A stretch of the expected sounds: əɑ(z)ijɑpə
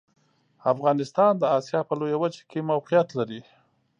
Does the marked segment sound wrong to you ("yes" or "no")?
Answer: yes